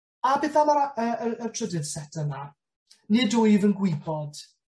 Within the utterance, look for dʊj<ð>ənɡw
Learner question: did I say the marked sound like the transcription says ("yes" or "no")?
no